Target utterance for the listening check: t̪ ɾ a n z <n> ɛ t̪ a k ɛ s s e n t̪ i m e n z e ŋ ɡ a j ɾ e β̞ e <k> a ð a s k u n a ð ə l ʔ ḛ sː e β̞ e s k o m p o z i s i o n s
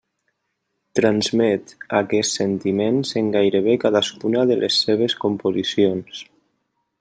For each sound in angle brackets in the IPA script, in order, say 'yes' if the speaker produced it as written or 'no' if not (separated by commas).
no, yes